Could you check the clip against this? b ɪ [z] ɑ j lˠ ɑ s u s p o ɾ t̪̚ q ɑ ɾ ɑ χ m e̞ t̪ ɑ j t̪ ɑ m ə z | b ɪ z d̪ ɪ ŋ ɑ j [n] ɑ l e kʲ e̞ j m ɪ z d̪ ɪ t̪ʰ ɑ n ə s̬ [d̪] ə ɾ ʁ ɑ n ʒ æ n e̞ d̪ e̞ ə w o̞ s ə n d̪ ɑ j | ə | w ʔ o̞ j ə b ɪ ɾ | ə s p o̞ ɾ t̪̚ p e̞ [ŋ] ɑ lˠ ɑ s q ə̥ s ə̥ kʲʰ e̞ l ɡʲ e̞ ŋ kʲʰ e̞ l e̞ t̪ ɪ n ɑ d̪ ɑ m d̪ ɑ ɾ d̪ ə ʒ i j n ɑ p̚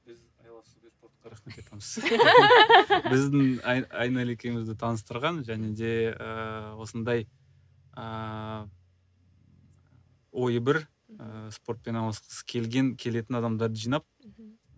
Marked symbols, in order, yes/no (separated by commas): yes, yes, no, no